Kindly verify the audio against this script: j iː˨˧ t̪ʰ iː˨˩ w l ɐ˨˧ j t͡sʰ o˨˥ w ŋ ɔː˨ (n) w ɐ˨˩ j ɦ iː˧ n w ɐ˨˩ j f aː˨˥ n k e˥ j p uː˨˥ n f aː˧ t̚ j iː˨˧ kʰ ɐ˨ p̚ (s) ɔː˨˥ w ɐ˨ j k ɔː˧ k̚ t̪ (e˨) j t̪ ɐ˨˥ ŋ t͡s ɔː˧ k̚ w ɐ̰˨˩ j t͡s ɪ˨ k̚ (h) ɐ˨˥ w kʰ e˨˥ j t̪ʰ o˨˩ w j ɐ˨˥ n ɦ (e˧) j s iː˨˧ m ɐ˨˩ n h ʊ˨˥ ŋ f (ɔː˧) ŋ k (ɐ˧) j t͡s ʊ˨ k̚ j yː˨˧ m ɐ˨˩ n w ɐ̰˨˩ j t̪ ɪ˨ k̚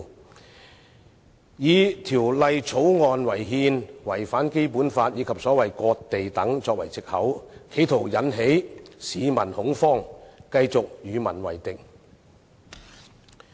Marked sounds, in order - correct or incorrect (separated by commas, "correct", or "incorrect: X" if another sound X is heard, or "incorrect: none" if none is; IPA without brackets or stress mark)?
correct, correct, correct, correct, incorrect: e˨˥, incorrect: ɔː˥, correct